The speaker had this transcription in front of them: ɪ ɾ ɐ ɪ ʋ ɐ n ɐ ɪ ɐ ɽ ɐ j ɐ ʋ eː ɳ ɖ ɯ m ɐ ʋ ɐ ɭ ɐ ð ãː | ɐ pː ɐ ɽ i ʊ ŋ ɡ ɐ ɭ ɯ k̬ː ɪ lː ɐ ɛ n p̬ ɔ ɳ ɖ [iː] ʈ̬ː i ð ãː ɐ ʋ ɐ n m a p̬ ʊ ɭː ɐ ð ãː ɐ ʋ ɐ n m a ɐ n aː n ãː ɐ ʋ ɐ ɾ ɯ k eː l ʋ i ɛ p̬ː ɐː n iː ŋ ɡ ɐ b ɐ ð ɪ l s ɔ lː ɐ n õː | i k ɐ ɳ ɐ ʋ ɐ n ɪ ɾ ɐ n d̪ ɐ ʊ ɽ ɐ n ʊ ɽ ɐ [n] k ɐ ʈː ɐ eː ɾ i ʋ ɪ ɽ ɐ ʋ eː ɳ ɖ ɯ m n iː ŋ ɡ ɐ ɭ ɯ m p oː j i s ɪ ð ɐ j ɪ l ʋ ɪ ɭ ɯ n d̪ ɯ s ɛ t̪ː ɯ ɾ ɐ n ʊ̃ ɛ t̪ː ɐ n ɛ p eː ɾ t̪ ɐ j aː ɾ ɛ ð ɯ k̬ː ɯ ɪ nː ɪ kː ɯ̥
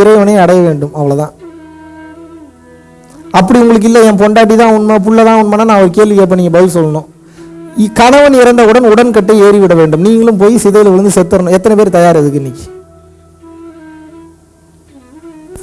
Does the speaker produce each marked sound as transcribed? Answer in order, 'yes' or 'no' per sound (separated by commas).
no, yes